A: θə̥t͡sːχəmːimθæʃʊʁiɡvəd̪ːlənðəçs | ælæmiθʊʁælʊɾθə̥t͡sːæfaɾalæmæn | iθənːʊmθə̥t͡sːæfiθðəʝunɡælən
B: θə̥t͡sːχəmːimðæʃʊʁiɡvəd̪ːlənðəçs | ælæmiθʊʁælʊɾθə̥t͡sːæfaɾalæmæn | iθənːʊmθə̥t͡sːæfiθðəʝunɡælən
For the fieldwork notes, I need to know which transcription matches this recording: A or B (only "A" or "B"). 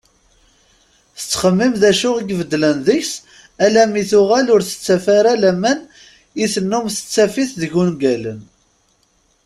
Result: B